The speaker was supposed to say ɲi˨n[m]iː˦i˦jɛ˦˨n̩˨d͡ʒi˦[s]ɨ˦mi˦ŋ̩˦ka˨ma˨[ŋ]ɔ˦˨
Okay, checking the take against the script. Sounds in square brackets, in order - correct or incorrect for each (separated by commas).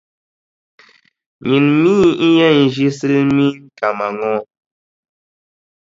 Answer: correct, correct, correct